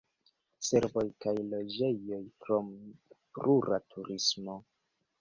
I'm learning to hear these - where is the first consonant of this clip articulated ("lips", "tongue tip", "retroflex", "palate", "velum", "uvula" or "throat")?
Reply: tongue tip